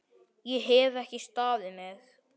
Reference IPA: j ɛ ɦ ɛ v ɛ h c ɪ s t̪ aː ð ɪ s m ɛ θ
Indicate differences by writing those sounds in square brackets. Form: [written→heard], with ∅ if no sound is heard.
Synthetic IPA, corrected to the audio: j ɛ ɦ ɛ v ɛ h c ɪ s t̪ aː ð ɪ [s→∅] m ɛ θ